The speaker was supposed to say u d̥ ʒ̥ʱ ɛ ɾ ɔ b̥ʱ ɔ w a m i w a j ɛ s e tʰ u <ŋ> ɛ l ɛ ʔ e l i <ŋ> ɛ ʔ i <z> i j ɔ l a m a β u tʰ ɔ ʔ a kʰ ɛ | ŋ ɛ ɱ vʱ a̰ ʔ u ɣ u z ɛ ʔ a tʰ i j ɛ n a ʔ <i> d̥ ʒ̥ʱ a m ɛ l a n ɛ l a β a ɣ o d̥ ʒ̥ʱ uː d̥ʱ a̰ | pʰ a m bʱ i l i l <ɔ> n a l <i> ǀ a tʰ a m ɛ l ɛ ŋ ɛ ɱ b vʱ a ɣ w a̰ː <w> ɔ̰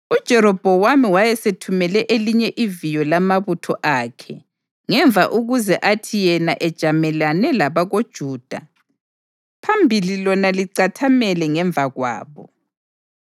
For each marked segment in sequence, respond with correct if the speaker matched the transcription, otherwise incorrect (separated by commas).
incorrect, incorrect, incorrect, incorrect, correct, correct, incorrect